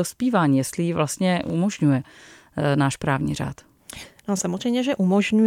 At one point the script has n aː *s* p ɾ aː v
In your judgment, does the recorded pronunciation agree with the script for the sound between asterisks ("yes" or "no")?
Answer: no